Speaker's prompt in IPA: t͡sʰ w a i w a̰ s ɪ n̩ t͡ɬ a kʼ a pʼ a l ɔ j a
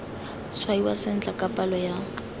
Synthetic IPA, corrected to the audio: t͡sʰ w a i w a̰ s ɪ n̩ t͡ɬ a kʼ a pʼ a l ɔ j a

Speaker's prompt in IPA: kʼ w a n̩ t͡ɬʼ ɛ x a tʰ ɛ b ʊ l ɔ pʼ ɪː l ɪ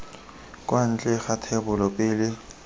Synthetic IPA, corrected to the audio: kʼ w a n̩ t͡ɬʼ ɛ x a tʰ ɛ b ʊ l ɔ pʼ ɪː l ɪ

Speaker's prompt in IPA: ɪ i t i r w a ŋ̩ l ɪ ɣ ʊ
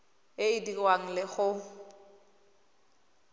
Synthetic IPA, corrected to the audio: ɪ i d i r w a ŋ̩ l ɪ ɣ ʊ

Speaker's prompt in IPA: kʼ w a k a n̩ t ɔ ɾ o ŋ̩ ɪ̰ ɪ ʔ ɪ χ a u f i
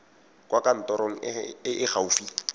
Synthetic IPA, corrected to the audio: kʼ w a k a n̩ t ɔ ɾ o ŋ̩ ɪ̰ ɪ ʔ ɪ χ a u f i

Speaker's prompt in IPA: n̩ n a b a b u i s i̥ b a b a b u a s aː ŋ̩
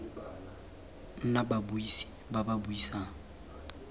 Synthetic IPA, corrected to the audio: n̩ n a b a b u i s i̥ b a b a b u i s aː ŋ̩

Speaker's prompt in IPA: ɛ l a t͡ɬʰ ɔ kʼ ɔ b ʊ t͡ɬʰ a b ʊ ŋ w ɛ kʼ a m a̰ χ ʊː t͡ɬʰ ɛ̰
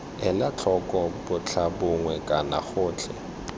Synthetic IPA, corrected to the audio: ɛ l a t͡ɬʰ ɔ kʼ ɔ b ʊ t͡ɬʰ a b ʊ ŋ w ɛ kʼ a n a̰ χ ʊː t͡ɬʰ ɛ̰

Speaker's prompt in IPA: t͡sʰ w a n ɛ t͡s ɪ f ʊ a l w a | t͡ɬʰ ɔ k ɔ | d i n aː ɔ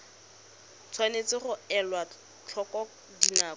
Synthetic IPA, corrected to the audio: t͡sʰ w a n e t͡s ɪ χ ʊ ɛ l w a | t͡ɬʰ ɔ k ɔ | d i n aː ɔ

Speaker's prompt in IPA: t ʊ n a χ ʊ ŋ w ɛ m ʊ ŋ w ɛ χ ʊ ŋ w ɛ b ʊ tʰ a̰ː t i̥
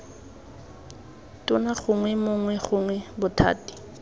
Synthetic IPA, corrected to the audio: t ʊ n a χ ʊ ŋ w ɛ m ʊ ŋ w ɛ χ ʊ ŋ w ɛ b ʊ tʰ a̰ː t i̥

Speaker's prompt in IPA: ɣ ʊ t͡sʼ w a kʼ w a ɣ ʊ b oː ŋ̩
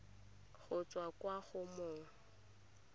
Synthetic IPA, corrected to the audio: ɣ ʊ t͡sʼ w a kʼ w a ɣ ʊ m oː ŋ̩

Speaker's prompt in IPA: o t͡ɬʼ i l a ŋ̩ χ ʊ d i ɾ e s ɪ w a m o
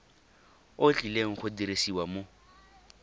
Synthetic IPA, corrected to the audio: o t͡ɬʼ i l e ŋ̩ χ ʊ d i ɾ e s i w a m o

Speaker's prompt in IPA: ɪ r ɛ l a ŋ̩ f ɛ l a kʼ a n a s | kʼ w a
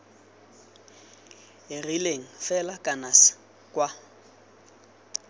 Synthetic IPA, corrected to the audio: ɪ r i l e ŋ̩ f ɛ l a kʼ a n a s | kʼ w a

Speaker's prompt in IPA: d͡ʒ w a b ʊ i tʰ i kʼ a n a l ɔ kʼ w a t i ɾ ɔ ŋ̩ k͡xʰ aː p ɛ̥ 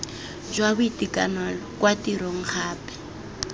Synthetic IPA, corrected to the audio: d͡ʒ w a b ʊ i t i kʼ a n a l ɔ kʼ w a t i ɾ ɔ ŋ̩ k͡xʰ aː p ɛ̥

